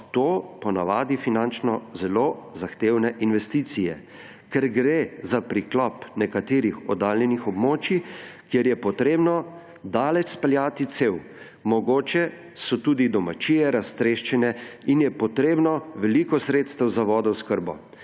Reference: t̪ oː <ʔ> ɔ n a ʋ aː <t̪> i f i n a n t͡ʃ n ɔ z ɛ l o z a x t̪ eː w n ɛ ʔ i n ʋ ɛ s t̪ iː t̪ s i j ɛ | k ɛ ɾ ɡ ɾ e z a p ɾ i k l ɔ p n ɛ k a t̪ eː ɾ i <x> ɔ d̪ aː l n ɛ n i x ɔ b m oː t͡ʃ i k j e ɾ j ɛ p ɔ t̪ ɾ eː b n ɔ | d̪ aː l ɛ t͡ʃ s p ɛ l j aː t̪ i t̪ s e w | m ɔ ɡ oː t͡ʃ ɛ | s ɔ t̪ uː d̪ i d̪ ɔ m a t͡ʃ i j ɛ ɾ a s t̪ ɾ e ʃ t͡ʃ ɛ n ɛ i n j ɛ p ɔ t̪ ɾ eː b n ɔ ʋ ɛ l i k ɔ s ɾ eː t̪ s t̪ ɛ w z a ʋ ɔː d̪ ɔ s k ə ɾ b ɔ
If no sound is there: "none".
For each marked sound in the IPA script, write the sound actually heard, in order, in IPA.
p, d̪, x

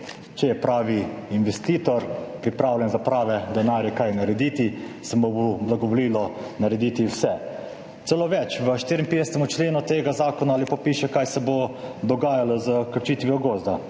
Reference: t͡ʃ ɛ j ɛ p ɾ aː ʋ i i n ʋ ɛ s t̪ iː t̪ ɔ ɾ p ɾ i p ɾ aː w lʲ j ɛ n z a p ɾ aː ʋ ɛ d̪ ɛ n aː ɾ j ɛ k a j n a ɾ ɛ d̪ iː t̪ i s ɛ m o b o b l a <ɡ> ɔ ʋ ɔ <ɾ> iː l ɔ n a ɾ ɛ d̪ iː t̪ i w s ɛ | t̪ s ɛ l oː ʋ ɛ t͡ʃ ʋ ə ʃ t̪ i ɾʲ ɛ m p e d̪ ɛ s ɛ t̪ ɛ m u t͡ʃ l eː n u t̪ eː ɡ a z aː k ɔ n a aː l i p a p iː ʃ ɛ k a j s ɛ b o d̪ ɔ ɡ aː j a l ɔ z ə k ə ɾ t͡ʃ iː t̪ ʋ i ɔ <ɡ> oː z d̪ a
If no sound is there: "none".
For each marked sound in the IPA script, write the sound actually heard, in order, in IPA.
ɡ, l, ɡ

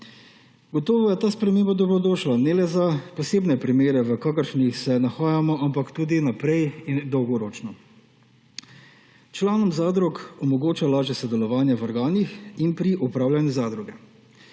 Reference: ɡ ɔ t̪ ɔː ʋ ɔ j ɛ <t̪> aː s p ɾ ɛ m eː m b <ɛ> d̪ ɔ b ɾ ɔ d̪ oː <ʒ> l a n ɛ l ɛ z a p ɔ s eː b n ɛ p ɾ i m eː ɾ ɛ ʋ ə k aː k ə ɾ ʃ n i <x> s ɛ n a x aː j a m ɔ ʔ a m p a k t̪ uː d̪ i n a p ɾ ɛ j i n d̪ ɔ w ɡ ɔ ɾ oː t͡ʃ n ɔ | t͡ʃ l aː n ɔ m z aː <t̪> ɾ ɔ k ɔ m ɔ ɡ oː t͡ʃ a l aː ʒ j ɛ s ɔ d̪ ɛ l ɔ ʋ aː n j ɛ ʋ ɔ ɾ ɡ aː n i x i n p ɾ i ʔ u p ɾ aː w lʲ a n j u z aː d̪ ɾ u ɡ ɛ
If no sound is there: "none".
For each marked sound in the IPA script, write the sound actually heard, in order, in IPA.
t̪, a, ʃ, x, d̪

